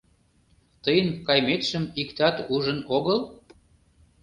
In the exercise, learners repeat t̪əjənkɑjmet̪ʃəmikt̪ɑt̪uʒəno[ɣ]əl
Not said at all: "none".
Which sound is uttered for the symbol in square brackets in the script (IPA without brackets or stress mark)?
ɣ